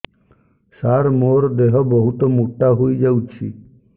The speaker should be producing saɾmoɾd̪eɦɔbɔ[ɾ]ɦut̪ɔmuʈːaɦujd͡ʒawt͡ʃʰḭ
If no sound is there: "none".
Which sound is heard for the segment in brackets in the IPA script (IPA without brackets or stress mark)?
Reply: none